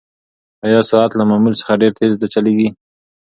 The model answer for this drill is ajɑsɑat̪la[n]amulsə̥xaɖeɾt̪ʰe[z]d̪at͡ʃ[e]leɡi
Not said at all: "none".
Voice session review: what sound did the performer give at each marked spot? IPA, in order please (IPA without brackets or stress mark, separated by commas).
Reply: m, z, a